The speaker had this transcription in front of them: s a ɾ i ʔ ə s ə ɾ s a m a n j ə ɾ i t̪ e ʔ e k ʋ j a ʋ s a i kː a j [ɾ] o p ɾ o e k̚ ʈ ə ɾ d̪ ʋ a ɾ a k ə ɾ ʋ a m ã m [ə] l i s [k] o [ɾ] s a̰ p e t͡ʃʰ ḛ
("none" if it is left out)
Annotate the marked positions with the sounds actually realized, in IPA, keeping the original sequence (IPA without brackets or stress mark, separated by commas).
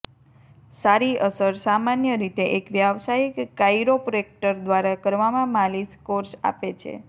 ɾ, a, k, ɾ